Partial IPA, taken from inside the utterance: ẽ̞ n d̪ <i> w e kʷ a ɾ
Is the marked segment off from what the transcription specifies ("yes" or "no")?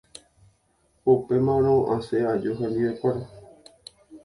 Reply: no